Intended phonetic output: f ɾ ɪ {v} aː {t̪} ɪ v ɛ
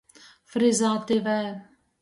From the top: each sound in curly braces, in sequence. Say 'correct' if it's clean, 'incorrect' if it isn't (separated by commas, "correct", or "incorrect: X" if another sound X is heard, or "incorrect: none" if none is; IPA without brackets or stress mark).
incorrect: z, correct